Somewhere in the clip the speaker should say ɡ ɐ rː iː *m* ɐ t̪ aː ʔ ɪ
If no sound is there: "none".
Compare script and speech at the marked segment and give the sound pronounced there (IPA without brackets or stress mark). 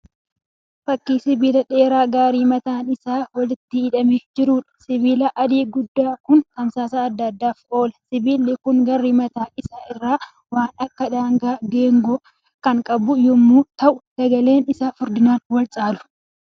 m